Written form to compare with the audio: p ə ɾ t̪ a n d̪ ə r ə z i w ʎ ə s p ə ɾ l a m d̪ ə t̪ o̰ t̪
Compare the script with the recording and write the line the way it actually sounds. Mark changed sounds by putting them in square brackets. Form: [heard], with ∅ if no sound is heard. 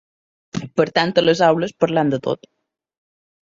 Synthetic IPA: p ə ɾ t̪ a n [t̪] ə [l] ə z [a] w [l] ə s p ə ɾ l a [n] d̪ ə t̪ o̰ t̪